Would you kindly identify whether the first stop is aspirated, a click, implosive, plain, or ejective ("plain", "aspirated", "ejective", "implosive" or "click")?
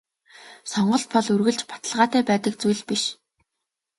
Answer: plain